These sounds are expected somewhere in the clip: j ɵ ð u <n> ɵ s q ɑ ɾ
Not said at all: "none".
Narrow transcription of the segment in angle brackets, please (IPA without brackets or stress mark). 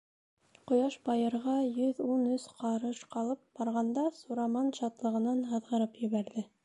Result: n